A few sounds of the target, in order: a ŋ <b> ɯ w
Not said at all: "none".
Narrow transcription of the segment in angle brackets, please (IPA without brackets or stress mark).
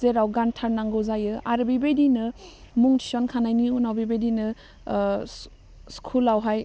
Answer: ɡ